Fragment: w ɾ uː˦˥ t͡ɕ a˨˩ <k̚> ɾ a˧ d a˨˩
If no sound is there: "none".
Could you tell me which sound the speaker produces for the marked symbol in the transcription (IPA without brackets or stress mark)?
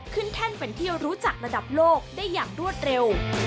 k̚